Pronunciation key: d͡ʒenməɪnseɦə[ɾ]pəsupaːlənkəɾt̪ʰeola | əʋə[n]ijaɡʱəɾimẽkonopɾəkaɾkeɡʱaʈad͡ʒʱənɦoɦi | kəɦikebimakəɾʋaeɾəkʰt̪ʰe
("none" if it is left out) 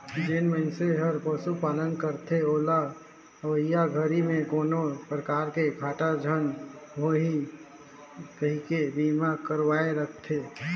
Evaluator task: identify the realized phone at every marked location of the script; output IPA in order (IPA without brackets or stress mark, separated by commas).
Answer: ɾ, none